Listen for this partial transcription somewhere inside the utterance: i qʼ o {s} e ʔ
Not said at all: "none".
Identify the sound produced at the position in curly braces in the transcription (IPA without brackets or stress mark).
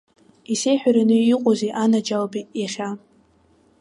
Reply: z